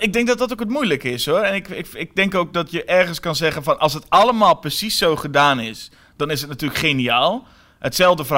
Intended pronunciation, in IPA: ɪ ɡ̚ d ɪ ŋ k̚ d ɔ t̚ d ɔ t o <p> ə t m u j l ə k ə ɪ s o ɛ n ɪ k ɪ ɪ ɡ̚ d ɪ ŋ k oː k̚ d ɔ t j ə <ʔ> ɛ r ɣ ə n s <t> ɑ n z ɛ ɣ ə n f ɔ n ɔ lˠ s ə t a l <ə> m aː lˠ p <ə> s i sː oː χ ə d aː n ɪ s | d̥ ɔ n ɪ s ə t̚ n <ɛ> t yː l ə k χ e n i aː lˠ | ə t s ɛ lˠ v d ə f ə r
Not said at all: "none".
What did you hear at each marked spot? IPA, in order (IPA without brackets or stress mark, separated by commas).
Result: k, ʔ, k, ə, ə, a